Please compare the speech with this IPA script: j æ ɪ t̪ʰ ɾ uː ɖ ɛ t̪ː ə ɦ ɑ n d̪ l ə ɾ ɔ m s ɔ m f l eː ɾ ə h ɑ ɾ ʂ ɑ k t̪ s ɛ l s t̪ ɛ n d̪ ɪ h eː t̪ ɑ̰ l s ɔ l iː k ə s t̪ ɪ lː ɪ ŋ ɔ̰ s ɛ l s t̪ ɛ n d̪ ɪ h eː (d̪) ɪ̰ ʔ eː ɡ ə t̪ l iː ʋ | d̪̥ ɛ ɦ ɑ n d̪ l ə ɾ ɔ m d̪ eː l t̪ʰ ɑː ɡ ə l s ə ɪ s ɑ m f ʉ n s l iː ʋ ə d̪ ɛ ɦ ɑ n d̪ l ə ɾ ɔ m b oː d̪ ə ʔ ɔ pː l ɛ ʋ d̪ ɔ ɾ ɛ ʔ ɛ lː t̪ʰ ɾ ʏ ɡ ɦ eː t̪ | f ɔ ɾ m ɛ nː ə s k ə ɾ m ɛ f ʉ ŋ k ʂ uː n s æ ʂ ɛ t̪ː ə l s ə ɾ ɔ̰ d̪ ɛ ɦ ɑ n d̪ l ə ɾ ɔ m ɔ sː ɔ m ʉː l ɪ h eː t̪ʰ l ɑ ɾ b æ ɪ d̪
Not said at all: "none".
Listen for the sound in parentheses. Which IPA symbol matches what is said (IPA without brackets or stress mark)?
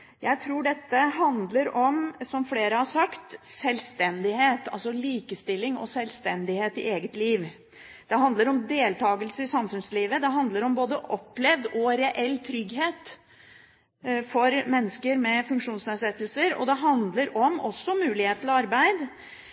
t̪